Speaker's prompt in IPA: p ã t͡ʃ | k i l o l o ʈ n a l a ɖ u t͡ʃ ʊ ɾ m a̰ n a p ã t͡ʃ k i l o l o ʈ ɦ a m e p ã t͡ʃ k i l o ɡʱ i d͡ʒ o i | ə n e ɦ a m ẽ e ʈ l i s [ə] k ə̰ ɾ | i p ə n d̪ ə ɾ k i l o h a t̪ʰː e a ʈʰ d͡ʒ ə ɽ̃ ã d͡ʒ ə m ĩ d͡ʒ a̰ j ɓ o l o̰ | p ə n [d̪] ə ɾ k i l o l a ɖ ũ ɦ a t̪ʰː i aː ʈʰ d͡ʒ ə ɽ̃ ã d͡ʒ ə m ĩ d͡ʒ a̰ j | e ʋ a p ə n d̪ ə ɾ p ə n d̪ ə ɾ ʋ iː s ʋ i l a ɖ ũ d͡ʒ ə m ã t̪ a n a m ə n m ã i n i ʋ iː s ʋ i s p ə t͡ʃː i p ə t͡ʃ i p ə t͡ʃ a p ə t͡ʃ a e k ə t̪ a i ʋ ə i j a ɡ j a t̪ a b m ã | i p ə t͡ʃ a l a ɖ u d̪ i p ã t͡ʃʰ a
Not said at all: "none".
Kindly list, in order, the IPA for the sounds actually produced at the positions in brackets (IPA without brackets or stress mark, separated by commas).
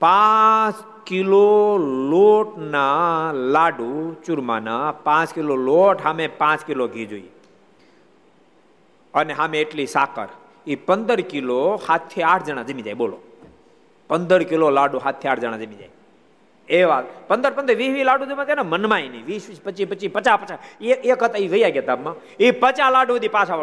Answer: a, d̪